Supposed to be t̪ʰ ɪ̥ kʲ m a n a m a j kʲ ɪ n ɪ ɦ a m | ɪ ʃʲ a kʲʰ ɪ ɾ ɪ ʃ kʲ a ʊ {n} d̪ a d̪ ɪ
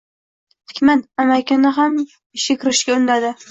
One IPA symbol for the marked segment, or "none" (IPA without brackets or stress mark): n